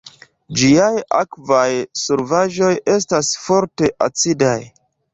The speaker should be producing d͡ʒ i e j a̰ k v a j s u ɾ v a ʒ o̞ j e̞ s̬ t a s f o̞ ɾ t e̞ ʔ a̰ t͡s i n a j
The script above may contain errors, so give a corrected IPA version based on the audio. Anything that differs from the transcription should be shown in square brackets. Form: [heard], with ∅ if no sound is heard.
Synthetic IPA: d͡ʒ i [a] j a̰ k v a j s u ɾ v a ʒ o̞ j e̞ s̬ t a s f o̞ ɾ t e̞ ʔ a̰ t͡s i [d] a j